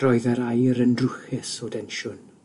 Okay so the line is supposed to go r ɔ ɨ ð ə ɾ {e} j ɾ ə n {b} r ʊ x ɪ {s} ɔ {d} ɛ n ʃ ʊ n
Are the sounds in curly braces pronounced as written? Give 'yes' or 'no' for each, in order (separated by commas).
no, no, yes, yes